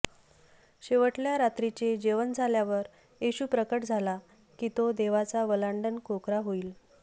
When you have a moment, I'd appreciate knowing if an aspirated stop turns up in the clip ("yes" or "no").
no